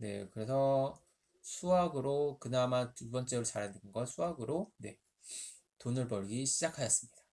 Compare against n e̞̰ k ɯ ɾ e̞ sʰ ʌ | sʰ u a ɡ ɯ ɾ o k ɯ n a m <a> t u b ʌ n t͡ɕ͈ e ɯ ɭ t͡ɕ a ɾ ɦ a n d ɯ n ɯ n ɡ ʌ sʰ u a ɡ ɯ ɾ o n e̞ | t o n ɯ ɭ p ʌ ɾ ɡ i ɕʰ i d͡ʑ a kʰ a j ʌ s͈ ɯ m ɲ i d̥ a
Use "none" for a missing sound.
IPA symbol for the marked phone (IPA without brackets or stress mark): a